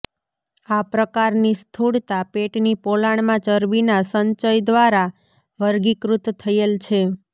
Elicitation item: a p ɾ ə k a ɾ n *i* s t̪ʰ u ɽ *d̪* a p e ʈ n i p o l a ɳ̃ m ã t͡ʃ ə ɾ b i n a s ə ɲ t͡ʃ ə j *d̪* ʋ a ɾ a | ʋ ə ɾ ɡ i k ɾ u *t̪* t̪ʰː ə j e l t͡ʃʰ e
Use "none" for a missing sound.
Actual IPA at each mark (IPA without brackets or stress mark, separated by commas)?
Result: i, t̪, d̪, t̪